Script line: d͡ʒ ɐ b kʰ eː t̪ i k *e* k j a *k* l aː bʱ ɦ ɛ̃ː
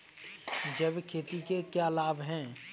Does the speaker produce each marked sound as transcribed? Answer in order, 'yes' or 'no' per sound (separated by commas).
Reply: yes, no